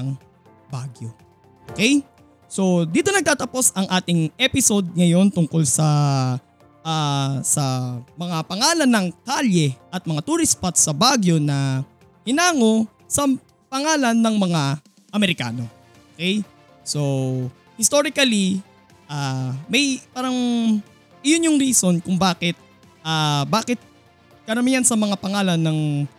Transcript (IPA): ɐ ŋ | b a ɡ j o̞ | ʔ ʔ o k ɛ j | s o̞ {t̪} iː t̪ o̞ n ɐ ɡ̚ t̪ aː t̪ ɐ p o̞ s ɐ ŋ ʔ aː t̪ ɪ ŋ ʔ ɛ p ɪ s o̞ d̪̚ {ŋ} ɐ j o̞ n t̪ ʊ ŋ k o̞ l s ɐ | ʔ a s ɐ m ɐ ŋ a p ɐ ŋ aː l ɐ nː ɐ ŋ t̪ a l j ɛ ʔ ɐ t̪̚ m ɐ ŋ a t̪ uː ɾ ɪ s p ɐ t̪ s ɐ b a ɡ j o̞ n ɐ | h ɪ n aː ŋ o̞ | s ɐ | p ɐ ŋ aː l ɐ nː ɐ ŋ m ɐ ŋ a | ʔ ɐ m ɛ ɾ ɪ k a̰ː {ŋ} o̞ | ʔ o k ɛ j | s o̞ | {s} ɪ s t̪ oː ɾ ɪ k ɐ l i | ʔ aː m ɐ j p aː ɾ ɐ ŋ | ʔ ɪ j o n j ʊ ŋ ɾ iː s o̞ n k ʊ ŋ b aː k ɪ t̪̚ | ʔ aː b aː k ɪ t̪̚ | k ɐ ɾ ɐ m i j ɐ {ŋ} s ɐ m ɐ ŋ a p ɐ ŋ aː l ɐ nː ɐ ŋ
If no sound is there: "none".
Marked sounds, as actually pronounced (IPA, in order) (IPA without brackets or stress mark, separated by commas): d̪, ŋ, n, h, n